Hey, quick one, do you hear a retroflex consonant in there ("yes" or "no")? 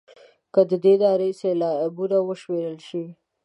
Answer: no